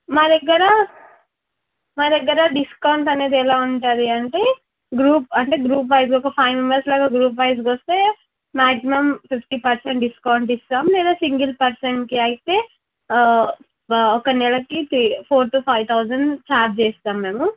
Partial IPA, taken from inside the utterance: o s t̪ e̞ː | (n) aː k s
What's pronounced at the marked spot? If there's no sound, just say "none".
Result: m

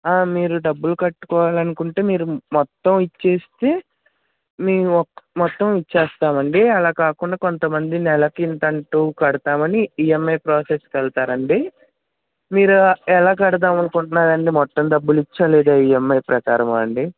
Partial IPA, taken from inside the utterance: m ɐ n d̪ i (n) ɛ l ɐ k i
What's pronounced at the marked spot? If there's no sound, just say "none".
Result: n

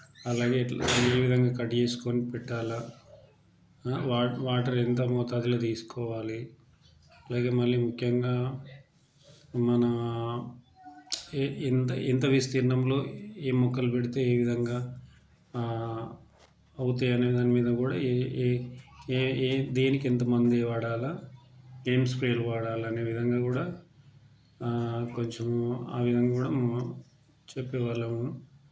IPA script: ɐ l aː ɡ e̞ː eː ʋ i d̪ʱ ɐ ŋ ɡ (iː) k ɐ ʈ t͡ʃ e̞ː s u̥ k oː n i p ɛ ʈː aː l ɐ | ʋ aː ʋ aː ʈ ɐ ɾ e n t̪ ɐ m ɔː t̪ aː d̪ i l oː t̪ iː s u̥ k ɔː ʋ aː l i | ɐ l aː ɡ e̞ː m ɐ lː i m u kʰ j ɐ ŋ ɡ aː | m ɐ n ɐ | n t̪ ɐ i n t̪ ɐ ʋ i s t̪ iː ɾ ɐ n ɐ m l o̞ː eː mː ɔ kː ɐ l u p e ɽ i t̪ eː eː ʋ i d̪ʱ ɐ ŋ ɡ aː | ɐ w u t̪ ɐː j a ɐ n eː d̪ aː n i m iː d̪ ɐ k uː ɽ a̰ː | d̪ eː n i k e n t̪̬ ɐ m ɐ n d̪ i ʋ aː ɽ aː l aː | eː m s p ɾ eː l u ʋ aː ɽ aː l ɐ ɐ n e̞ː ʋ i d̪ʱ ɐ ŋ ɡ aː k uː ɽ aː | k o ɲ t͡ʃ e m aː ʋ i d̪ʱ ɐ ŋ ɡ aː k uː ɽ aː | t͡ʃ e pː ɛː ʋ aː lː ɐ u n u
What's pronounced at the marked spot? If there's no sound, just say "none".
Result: aː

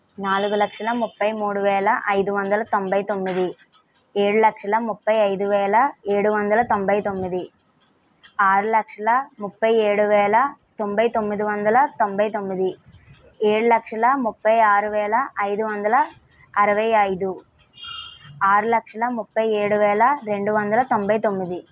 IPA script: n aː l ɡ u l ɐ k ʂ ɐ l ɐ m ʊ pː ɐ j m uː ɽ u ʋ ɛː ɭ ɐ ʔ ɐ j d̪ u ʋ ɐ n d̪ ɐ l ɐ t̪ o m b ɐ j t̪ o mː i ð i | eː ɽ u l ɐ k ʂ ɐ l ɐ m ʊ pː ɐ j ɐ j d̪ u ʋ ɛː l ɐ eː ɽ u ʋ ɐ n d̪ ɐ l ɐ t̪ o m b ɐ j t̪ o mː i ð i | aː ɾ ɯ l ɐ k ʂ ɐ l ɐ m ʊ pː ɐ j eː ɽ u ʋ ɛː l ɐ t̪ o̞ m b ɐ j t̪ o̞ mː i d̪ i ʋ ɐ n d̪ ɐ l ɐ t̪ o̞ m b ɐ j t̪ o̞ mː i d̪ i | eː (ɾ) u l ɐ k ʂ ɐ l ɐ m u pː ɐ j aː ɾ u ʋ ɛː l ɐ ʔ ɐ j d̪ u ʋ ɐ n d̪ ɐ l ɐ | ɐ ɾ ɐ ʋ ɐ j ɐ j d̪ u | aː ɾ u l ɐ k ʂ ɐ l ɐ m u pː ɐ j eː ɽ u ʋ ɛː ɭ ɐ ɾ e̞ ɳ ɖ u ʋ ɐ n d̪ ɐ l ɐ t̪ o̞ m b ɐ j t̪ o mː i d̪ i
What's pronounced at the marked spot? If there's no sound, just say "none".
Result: ɽ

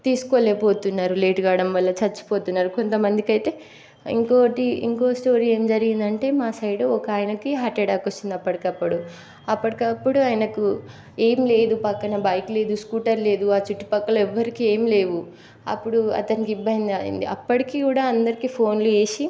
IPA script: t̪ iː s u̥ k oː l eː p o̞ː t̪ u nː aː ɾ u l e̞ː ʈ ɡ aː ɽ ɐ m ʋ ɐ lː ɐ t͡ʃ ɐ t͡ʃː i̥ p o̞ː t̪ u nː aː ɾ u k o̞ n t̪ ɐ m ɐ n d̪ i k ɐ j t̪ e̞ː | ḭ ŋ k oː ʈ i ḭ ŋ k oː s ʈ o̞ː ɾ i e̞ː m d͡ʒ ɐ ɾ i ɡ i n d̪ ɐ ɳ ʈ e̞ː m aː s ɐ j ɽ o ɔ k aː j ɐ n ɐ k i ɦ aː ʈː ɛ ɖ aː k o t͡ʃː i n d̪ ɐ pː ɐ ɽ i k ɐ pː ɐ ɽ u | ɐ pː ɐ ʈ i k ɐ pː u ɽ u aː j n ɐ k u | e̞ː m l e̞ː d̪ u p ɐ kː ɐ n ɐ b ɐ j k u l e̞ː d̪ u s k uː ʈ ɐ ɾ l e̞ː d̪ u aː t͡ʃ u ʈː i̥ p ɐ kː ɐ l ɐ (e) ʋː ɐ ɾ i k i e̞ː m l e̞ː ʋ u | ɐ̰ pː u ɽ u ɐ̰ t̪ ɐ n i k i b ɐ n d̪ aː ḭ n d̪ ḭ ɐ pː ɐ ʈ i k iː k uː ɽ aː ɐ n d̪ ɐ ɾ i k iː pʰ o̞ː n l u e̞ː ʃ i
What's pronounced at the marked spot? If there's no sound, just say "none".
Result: ɛ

